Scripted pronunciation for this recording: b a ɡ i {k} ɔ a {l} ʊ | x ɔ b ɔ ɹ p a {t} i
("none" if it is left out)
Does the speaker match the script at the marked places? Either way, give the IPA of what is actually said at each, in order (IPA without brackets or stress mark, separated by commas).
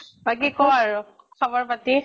k, ɹ, t